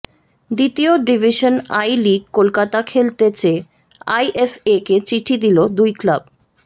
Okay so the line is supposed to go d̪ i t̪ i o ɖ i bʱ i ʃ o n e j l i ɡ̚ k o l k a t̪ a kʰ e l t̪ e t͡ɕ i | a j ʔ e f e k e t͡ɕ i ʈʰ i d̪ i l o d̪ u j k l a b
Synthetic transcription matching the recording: d̪ i t̪ i o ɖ i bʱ i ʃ o n a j l i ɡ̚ k o l k a t̪ a kʰ e l t̪ e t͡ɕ e | a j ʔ e f e k e t͡ɕ i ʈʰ i d̪ i l o d̪ u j k l a b